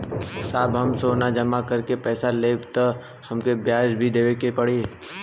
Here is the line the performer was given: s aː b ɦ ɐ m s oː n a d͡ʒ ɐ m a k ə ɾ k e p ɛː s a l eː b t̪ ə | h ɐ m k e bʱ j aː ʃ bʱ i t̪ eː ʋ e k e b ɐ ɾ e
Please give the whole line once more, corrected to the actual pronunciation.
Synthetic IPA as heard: s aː b ɦ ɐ m s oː n a d͡ʒ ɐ m a k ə ɾ k e p ɛː s a l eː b t̪ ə | h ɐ m k e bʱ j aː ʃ bʱ i d̪ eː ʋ e k e p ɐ ɽ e